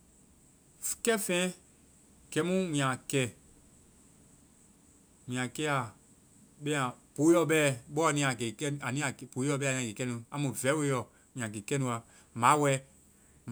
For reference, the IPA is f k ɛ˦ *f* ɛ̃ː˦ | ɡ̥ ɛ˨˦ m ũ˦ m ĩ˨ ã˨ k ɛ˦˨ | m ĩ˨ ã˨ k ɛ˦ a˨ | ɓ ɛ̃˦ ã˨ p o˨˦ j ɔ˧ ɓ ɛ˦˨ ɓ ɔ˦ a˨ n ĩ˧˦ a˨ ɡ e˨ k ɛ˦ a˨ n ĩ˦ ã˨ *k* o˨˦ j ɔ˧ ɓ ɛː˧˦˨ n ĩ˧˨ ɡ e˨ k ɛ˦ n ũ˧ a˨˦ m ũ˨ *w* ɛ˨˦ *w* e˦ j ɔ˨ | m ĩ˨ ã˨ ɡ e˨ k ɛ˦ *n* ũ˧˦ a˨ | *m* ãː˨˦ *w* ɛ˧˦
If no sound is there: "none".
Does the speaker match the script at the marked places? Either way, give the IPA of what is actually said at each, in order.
f, p, v, w, n, m, w

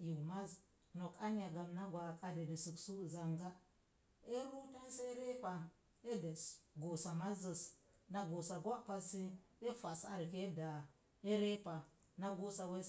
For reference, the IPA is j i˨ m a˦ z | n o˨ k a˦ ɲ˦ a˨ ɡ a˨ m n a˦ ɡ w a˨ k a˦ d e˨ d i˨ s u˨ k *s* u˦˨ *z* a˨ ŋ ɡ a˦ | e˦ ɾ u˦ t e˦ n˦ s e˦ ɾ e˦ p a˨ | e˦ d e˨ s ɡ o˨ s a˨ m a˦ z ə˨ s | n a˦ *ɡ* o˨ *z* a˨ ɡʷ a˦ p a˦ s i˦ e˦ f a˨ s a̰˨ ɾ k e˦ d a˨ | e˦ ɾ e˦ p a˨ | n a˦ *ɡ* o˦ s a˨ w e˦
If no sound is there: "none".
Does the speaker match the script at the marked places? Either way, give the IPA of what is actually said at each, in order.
s, z, ɡ, s, ɡ

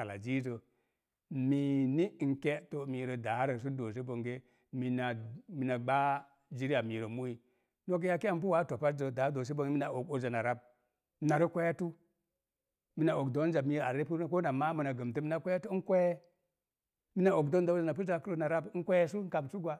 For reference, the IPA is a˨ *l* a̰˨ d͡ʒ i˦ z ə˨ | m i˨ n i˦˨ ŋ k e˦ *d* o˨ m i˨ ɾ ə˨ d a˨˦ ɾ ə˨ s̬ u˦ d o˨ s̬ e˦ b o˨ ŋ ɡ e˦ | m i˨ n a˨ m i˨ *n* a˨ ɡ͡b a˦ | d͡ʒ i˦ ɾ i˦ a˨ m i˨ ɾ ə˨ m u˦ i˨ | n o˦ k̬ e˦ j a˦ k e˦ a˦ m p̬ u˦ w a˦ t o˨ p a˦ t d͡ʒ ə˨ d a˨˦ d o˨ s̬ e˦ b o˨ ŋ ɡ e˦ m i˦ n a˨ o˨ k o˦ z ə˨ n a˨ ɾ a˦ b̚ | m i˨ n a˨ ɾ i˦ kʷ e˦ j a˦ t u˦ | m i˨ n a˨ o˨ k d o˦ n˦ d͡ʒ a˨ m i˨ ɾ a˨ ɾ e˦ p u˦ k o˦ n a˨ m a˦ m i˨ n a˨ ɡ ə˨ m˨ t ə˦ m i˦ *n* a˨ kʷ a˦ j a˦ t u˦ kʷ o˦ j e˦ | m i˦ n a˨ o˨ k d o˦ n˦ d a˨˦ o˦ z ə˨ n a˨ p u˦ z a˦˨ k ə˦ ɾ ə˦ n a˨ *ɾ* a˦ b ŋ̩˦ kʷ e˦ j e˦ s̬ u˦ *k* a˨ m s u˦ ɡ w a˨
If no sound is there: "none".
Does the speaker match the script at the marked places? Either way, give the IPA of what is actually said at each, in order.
l, t, n, n, ɾ, k

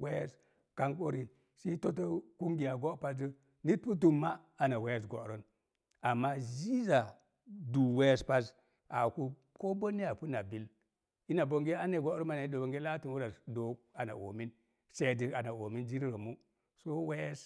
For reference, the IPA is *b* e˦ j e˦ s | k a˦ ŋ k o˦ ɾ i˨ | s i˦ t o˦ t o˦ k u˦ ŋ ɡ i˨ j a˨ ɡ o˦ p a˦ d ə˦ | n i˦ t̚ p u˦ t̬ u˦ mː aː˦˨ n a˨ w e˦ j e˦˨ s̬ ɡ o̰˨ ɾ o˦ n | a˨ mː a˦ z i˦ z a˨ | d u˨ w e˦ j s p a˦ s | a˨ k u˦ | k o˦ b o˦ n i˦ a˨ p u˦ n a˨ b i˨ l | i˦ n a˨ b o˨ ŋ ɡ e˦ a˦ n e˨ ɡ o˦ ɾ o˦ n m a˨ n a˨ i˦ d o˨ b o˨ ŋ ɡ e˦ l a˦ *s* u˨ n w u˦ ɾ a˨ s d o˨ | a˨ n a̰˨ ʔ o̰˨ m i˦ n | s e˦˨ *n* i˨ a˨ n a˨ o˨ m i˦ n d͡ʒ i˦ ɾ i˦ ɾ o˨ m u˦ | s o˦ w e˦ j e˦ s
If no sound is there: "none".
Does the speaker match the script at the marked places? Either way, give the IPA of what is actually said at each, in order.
w, t, d

